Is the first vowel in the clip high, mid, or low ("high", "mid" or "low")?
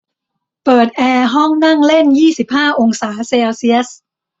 mid